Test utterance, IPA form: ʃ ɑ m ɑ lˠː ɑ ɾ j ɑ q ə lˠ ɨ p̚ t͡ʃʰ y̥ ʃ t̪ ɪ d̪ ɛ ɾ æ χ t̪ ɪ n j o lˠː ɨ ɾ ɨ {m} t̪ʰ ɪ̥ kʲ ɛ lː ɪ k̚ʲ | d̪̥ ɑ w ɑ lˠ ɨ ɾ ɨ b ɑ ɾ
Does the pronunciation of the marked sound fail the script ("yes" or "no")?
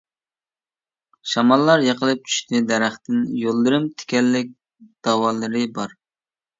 no